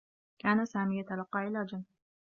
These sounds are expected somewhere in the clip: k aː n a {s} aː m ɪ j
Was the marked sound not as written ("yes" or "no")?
no